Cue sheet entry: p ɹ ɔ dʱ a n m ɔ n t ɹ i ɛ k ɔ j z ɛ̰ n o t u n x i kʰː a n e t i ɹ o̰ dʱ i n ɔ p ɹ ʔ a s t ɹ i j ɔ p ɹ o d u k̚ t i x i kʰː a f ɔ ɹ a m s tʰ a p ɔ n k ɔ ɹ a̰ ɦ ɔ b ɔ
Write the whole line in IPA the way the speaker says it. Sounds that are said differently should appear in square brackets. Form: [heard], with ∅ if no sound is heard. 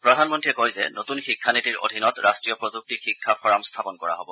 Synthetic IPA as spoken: p ɹ ɔ dʱ a n m ɔ n t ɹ i ɛ k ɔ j z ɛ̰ n o t u n x i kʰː a n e t i ɹ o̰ dʱ i n ɔ [t] ɹ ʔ a s t ɹ i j ɔ p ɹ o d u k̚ t i x i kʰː a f ɔ ɹ a m s tʰ a p ɔ n k ɔ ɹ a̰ ɦ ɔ b ɔ